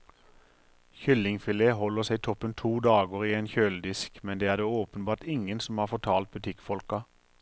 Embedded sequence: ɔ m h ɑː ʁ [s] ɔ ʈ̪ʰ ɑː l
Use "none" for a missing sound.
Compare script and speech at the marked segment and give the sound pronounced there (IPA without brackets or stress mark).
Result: f